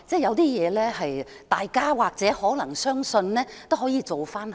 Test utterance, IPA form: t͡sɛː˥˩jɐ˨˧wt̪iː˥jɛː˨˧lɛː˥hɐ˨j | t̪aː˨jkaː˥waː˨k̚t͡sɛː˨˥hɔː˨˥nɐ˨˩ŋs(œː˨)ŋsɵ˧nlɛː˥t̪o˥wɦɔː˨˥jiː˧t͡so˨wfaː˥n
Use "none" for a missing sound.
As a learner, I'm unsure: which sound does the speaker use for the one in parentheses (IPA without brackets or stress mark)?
œː˥